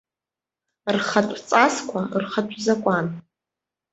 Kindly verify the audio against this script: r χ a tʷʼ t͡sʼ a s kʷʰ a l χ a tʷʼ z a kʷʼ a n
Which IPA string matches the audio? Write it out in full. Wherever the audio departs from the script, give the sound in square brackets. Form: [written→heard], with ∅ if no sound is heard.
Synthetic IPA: r χ a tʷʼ t͡sʼ a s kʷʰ a [l→r] χ a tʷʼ z a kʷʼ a n